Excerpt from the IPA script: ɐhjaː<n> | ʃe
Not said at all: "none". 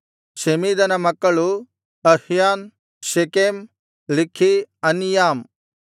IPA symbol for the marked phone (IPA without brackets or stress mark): n